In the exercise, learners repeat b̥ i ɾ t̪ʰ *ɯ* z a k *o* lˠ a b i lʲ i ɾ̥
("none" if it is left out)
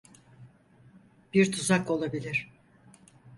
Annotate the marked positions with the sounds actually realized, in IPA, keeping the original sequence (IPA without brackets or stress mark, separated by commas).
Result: u, o